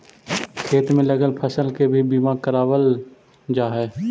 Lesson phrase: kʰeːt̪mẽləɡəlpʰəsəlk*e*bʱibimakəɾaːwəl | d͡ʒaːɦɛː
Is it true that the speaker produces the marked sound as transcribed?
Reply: yes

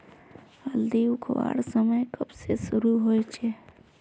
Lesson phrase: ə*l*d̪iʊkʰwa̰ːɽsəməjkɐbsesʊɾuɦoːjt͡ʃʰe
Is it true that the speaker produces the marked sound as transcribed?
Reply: yes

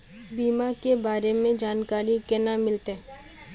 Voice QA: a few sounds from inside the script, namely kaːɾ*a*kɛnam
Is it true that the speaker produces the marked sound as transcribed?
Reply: no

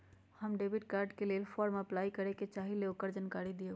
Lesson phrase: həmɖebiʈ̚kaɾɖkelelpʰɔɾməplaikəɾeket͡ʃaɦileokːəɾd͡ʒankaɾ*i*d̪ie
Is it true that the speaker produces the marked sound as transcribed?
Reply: yes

